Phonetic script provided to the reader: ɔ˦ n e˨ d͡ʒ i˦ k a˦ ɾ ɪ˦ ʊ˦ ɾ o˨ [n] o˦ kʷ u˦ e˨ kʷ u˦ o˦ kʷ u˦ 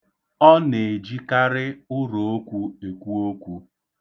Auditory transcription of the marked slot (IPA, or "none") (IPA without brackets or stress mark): none